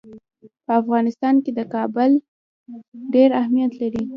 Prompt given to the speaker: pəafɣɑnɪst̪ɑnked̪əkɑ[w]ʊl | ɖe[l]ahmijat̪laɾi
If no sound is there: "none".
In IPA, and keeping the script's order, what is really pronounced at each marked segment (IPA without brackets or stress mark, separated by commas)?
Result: b, ɾ